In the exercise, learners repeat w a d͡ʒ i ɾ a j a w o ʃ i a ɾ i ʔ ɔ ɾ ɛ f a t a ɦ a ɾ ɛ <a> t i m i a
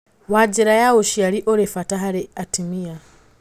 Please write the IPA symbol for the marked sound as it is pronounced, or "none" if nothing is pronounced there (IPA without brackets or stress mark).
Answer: a